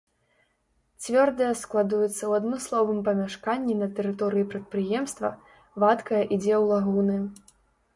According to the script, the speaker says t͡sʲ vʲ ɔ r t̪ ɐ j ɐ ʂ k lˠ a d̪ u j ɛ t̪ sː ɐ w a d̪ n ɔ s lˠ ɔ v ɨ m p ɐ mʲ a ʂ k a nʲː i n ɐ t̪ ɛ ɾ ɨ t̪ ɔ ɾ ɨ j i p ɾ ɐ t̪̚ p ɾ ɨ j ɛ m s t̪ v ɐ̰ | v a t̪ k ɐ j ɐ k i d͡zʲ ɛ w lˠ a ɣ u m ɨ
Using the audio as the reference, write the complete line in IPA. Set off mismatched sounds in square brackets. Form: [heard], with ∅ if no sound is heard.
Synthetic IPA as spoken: t͡sʲ vʲ ɔ r [d̪] ɐ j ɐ [s] k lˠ a d̪ u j ɛ t̪ sː ɐ w a d̪ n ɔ s lˠ ɔ v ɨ m p ɐ mʲ a ʂ k a nʲː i n ɐ t̪ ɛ ɾ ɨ t̪ ɔ ɾ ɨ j i p ɾ ɐ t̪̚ p ɾ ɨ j ɛ m s t̪ v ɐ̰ | v a t̪ k ɐ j ɐ [ʔ] i d͡zʲ ɛ w lˠ a ɣ u [n] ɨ